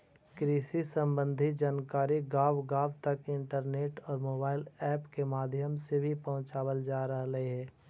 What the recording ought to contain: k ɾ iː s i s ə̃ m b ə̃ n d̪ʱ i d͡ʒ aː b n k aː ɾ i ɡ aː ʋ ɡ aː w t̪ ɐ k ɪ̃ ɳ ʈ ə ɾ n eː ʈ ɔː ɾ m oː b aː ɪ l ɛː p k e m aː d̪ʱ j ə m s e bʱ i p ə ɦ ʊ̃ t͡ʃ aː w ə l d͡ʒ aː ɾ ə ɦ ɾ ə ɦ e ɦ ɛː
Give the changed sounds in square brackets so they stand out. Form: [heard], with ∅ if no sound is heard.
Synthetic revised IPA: k ɾ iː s i s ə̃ m b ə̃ n d̪ʱ i d͡ʒ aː [∅] n k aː ɾ i ɡ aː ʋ ɡ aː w t̪ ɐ k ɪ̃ ɳ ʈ ə ɾ n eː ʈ ɔː ɾ m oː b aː ɪ l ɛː p k e m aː d̪ʱ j ə m s e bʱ i p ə ɦ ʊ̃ t͡ʃ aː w ə l d͡ʒ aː ɾ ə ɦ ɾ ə ɦ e ɦ ɛː